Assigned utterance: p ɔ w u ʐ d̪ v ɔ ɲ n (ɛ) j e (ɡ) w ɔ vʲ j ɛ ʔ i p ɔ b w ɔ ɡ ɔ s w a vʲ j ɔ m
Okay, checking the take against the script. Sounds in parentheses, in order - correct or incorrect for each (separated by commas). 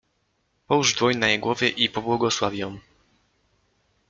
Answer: incorrect, correct